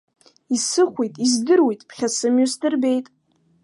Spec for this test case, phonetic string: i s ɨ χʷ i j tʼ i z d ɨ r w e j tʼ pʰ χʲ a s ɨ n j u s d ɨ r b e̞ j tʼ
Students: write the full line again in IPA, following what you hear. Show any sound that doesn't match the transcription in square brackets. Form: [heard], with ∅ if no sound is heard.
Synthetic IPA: i s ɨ χʷ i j tʼ i z d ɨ r w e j tʼ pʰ χʲ a s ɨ [m] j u s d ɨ r b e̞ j tʼ